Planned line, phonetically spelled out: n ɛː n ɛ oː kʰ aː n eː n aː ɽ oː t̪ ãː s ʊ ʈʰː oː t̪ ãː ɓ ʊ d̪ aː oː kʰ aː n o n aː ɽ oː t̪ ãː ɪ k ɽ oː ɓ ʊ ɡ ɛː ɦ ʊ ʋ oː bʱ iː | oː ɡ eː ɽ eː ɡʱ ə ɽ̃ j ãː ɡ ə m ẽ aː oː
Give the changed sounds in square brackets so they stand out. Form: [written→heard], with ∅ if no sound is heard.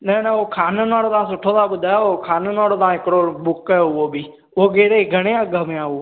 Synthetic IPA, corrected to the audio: n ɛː n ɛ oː kʰ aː n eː n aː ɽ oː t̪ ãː s ʊ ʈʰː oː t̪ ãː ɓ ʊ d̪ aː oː kʰ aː n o n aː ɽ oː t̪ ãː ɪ k ɽ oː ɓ ʊ [ɡ→k] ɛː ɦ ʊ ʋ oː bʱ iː | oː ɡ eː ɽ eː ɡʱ ə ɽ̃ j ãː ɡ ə m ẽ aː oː